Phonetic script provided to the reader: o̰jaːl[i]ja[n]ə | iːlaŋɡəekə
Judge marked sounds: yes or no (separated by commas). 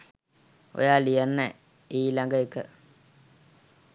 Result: yes, no